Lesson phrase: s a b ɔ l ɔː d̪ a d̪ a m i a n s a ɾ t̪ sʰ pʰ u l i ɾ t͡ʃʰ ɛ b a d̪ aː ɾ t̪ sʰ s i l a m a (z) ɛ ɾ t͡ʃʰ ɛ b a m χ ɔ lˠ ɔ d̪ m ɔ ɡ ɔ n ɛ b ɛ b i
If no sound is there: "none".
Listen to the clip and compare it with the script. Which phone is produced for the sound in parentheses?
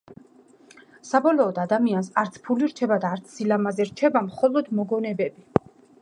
z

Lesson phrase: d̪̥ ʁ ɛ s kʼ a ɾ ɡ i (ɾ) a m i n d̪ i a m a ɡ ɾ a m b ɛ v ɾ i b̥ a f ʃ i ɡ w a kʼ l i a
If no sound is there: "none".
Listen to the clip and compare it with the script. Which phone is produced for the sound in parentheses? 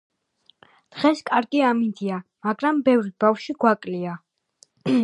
none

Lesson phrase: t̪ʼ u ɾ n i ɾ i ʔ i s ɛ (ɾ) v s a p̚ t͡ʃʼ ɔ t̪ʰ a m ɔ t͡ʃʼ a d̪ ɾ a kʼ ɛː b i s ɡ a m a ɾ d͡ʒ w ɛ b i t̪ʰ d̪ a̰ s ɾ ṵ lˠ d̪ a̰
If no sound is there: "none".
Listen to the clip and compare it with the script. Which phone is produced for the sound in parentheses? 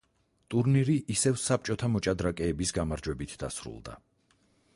none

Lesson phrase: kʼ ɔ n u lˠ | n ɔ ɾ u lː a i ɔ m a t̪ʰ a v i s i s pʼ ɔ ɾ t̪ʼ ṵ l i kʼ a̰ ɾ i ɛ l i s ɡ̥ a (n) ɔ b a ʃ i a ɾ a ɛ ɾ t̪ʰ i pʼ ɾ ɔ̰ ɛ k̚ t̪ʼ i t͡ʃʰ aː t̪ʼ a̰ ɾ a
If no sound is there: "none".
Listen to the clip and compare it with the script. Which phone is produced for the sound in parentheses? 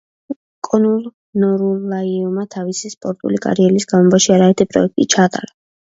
m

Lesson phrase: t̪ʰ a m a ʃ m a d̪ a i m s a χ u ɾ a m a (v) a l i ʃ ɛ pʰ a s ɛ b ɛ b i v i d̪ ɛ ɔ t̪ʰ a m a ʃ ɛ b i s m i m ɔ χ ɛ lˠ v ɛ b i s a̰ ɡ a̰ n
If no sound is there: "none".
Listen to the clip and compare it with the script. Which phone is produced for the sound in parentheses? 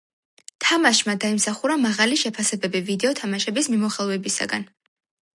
ʁ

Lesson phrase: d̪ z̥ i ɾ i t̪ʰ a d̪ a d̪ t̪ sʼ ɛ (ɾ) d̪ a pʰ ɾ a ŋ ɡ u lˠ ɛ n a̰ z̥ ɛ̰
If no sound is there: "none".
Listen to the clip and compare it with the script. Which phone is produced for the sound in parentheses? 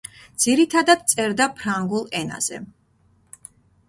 ɾ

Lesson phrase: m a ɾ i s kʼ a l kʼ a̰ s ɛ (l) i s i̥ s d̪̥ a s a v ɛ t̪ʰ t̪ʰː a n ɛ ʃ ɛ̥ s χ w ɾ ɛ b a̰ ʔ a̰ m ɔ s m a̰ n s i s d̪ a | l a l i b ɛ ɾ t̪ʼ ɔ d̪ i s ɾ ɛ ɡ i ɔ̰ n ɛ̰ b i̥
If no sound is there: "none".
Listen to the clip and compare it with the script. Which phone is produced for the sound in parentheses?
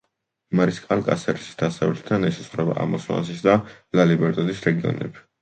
ɾ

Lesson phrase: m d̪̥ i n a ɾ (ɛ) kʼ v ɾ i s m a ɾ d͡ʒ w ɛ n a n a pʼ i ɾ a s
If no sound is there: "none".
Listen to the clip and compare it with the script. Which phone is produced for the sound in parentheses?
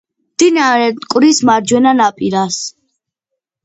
ɛ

